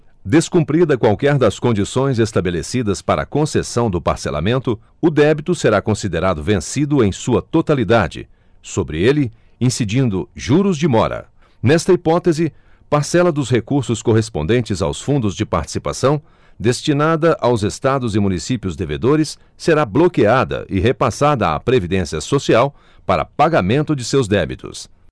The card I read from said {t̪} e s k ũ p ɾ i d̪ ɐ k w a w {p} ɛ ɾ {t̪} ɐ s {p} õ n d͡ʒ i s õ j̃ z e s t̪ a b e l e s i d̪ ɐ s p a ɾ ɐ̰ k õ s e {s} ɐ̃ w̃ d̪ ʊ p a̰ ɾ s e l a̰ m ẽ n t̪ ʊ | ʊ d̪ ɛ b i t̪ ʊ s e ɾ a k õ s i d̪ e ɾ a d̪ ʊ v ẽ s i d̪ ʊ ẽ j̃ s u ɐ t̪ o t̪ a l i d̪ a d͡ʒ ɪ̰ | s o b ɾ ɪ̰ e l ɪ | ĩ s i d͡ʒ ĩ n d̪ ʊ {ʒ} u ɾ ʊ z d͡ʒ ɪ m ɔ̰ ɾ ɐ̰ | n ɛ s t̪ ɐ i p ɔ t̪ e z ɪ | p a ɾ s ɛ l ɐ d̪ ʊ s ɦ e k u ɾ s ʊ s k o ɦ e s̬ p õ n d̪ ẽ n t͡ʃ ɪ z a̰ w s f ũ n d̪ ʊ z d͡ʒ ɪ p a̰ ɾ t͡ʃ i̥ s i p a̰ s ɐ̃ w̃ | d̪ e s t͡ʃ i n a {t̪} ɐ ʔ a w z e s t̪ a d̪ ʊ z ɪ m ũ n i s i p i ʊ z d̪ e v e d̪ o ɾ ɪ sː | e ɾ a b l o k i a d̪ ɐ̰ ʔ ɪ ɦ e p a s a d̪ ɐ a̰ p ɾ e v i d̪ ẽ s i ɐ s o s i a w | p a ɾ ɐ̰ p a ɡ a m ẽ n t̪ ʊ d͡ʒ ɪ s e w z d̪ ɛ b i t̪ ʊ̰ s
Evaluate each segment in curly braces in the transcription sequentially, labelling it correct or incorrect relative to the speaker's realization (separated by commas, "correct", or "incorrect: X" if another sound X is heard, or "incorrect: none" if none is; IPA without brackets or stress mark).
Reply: incorrect: d̪, incorrect: k, incorrect: d̪, incorrect: k, correct, correct, incorrect: d̪